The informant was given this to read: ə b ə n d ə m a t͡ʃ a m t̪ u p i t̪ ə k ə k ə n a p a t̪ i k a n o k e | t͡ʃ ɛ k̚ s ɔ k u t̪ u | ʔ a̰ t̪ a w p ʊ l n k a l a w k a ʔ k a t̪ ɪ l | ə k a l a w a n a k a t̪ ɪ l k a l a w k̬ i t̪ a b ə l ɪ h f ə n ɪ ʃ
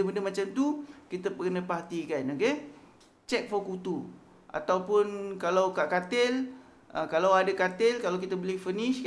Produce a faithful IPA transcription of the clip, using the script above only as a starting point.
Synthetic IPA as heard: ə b ə n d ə m a t͡ʃ a m t̪ u k i t̪ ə p ə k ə n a p a t̪ i k a n o k e | t͡ʃ ɛ k̚ f ɔ k u t̪ u | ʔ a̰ t̪ a w p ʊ n k a l a w k a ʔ k a t̪ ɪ l | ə k a l a w a d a k a t̪ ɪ l k a l a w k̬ i t̪ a b ə l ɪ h f ə n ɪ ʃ